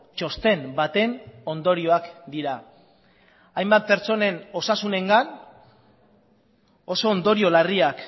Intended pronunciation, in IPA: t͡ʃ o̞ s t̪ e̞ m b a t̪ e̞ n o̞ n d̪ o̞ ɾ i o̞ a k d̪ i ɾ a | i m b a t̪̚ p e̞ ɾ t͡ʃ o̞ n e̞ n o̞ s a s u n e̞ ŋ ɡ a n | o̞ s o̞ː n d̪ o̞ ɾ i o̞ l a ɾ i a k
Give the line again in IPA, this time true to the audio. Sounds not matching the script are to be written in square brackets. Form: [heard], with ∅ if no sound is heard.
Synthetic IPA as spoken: t͡ʃ o̞ s t̪ e̞ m b a t̪ e̞ n o̞ n d̪ o̞ ɾ i o̞ a k d̪ i ɾ a | [j] m b a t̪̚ p e̞ ɾ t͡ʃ o̞ n e̞ n o̞ s a s u n e̞ ŋ ɡ a n | o̞ s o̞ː n d̪ o̞ ɾ i o̞ l a [r] i a k